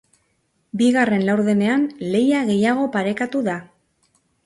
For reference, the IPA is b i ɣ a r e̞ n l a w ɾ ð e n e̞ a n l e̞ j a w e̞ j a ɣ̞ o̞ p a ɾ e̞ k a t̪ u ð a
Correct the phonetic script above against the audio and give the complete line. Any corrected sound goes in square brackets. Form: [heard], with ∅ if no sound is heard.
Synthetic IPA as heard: b i ɣ a r e̞ n l a w ɾ ð e n e̞ a n l e̞ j a [ɣ] e̞ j a ɣ̞ o̞ p a ɾ e̞ k a t̪ u ð a

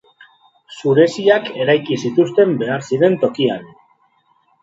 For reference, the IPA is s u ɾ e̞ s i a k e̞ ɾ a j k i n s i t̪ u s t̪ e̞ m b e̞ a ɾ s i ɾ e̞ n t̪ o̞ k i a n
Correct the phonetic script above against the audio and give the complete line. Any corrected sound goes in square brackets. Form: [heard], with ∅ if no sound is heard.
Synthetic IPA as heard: s u ɾ e̞ s i a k e̞ ɾ a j k i [∅] s i t̪ u s t̪ e̞ m b e̞ a ɾ s i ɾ e̞ n t̪ o̞ k i a n

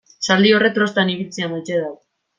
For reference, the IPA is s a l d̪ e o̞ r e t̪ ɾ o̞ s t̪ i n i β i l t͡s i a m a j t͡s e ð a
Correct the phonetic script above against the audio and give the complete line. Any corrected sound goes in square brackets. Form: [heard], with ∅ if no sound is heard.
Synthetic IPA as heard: s a l d̪ [i] o̞ r e t̪ ɾ o̞ s t̪ [a] n i β i l t͡s i a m a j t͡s e ð a

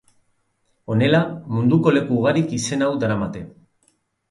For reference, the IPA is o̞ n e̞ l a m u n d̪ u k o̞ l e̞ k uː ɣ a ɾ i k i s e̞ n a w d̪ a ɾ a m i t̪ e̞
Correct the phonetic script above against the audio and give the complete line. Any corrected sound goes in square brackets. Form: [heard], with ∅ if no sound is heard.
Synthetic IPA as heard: o̞ n e̞ l a m u n d̪ u k o̞ l e̞ k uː ɣ a ɾ i k i s e̞ n a w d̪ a ɾ a m [a] t̪ e̞

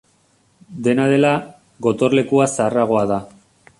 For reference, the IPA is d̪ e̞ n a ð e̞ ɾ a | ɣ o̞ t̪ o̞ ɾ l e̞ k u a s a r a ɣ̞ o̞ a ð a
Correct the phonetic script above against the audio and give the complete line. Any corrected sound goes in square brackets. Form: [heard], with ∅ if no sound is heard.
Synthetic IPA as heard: d̪ e̞ n a ð e̞ [l] a | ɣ o̞ t̪ o̞ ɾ l e̞ k u a s a r a ɣ̞ o̞ a ð a

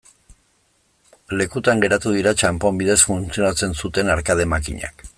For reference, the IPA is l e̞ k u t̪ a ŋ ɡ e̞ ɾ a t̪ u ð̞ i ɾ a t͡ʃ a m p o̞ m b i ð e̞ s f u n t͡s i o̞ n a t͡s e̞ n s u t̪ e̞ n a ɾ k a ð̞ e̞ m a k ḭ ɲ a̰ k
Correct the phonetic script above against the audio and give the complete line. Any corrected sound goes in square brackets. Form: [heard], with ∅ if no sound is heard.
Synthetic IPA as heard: l e̞ k u t̪ a ŋ ɡ e̞ ɾ a t̪ u ð̞ i ɾ a t͡ʃ a m p o̞ m b i ð e̞ s f u n t͡s i o̞ n a t͡s e̞ n s u t̪ e̞ n a ɾ k a ð̞ e̞ m a k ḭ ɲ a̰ k

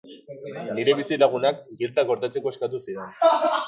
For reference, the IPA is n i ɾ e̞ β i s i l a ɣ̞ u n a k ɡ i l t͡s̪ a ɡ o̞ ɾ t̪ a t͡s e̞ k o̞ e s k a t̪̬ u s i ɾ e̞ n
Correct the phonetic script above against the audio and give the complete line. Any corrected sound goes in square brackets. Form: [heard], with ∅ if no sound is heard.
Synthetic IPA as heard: n i ɾ e̞ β i s i l a ɣ̞ u n a k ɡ i l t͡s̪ a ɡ o̞ ɾ t̪ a t͡s e̞ k o̞ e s k a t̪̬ u s i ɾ e̞ n

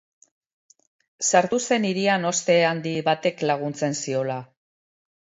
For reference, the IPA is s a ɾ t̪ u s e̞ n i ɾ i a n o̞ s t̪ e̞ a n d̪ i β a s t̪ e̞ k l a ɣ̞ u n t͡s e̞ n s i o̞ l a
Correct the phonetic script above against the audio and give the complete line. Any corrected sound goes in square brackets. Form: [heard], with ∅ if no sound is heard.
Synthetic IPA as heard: s a ɾ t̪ u s e̞ n i ɾ i a n o̞ s t̪ e̞ a n d̪ i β a [∅] t̪ e̞ k l a ɣ̞ u n t͡s e̞ n s i o̞ l a

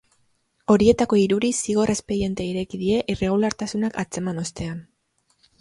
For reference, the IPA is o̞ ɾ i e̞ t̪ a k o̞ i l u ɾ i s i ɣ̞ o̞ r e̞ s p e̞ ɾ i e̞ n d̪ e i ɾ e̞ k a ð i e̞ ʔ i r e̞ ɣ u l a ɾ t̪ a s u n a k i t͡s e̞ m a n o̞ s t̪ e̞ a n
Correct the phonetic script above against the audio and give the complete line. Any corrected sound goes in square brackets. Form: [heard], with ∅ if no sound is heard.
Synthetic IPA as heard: o̞ ɾ i e̞ t̪ a k o̞ i [ɾ] u ɾ i s i ɣ̞ o̞ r e̞ s p e̞ ɾ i e̞ n [t̪] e i ɾ e̞ k [i] ð i e̞ ʔ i r e̞ ɣ u l a ɾ t̪ a s u n a k [a] t͡s e̞ m a n o̞ s t̪ e̞ a n

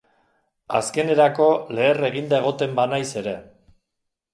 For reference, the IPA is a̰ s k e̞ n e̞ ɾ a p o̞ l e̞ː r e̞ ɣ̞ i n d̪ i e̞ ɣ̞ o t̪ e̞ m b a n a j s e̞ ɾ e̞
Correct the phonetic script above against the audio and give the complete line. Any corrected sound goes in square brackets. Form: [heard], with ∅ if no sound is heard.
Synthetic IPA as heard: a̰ s k e̞ n e̞ ɾ a [k] o̞ l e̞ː r e̞ ɣ̞ i n d̪ [a] e̞ ɣ̞ o t̪ e̞ m b a n a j s e̞ ɾ e̞

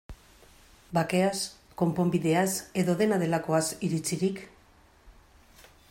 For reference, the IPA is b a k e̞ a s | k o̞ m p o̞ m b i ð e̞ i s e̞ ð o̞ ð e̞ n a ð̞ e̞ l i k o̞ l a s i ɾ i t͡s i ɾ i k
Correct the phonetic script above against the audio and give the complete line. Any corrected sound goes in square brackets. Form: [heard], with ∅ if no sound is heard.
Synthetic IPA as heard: b a k e̞ a s | k o̞ m p o̞ m b i ð e̞ [a] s e̞ ð o̞ ð e̞ n a ð̞ e̞ l [a] k o̞ [∅] a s i ɾ i t͡s i ɾ i k

